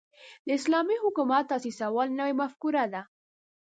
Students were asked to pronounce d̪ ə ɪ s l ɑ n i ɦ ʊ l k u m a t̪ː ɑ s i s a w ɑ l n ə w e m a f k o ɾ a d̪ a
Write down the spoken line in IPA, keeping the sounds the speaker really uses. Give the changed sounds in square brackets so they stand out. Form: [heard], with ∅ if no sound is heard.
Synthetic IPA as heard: d̪ ə ɪ s l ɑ [m] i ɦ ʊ [∅] k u m a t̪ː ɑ s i s a w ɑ l n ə w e m a f k [u] ɾ a d̪ a